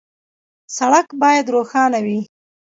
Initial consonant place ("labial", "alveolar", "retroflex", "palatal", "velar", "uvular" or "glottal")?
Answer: alveolar